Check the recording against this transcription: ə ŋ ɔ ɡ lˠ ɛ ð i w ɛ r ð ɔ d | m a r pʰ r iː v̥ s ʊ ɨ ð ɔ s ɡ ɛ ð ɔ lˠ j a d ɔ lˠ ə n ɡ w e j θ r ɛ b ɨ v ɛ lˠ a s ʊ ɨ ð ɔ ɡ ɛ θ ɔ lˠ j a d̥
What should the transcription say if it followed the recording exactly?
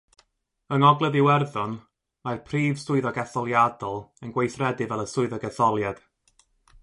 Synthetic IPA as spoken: ə ŋ ɔ ɡ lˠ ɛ ð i w ɛ r ð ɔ n | m a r pʰ r iː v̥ s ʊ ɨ ð ɔ ɡ ɛ θ ɔ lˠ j a d ɔ lˠ ə n ɡ w e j θ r ɛ d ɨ v ɛ lˠ ə s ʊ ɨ ð ɔ ɡ ɛ θ ɔ lˠ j a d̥